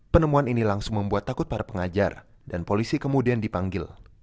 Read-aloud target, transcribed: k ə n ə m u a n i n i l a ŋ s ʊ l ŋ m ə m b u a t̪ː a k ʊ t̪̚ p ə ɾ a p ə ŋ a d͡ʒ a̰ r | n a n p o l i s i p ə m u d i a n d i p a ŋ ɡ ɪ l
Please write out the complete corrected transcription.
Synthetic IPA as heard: p ə n ə m u a n i n i l a ŋ s ʊ ŋ m ə m b u a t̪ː a k ʊ t̪̚ p a ɾ a p ə ŋ a d͡ʒ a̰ r | d a n p o l i s i k ə m u d i a n d i p a ŋ ɡ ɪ l